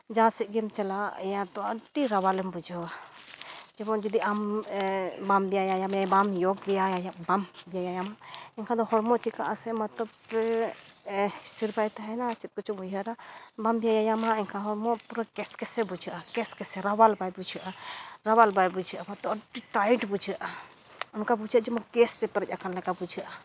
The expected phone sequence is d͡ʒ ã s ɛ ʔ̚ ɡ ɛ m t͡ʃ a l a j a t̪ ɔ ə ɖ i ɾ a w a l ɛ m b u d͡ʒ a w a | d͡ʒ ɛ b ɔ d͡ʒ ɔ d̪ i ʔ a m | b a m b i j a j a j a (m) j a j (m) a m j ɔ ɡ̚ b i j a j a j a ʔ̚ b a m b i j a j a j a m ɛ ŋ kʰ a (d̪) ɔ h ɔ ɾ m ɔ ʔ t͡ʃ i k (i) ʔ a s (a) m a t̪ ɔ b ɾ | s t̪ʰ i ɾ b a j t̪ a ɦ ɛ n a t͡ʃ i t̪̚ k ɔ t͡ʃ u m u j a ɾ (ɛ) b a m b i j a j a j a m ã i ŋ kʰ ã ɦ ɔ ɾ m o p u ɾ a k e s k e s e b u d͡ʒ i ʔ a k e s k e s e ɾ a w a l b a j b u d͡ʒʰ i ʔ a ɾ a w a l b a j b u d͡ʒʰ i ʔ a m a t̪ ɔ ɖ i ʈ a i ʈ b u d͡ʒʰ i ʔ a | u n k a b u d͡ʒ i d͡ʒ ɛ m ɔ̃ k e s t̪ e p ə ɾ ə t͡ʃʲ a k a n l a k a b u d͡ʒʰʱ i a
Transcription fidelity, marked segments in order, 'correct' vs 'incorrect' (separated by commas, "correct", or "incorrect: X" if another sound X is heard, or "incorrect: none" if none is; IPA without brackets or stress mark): correct, incorrect: b, correct, incorrect: a, incorrect: ɛ, incorrect: a